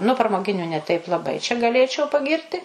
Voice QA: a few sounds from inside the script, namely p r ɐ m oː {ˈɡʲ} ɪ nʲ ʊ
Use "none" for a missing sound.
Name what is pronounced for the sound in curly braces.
ɡʲ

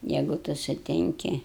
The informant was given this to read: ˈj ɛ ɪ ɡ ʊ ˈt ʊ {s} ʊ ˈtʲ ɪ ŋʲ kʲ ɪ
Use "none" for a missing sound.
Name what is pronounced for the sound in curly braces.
s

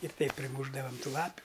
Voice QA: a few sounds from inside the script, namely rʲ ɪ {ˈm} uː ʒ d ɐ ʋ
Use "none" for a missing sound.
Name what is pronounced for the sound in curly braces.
m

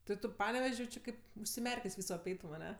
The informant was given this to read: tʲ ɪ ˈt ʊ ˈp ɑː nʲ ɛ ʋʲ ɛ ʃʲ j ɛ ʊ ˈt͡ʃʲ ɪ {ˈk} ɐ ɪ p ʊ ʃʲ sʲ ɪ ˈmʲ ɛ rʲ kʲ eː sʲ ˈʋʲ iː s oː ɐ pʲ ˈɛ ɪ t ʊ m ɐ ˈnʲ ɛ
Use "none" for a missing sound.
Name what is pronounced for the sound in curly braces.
k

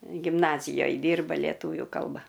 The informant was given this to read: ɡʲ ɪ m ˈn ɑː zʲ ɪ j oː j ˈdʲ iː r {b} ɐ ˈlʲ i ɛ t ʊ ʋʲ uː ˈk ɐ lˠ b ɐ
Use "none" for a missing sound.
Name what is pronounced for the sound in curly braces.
b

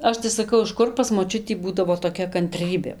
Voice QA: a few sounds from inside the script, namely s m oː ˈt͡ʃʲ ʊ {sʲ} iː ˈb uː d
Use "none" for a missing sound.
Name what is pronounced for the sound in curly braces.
tʲ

